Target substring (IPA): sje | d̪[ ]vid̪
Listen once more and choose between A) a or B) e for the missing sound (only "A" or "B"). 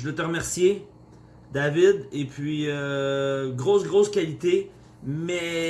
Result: A